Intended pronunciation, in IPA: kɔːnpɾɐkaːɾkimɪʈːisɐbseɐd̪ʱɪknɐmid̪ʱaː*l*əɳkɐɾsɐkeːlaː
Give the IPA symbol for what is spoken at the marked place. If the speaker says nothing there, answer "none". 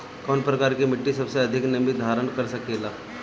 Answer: ɾ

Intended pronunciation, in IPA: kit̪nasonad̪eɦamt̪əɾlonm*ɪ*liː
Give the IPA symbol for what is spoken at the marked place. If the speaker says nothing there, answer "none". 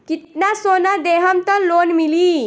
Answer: i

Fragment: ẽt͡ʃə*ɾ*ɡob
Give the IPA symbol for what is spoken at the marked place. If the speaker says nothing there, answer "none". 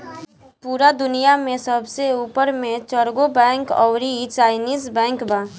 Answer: ɾ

